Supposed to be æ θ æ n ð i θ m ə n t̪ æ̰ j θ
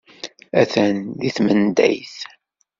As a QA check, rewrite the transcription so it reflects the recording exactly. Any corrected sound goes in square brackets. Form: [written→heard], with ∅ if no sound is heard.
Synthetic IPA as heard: æ θ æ n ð i θ m ə n [t̪→d̪] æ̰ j θ